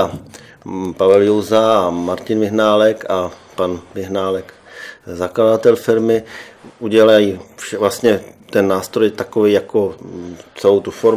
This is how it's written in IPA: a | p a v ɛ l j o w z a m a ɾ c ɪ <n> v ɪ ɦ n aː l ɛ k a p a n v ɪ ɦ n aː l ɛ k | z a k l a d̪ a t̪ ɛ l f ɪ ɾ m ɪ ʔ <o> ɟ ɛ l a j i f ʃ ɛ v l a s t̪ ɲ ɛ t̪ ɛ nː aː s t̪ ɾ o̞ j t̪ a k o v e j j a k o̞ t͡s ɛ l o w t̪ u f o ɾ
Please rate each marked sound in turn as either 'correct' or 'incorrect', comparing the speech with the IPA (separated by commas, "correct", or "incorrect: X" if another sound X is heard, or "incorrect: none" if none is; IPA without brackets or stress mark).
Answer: correct, incorrect: u